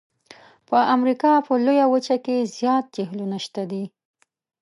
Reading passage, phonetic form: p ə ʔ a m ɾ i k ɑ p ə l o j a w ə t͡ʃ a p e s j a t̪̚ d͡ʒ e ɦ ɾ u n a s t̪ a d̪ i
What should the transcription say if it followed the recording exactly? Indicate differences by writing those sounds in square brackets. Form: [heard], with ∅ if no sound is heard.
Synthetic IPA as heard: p ə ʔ a m ɾ i k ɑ p ə l o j a w ə t͡ʃ a [k] e [z] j [ɑ] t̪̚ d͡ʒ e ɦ [l] u n a [ʃ] t̪ a d̪ i